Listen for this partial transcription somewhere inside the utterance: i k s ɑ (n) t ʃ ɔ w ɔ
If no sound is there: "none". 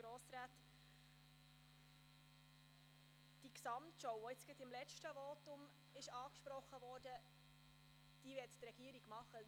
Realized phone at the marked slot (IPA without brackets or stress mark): m